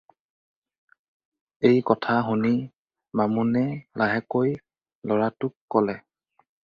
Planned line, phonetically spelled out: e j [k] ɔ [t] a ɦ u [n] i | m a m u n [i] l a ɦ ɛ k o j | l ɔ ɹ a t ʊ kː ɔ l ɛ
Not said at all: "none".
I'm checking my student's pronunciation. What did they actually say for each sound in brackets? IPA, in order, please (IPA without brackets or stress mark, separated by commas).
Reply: k, tʰ, n, ɛ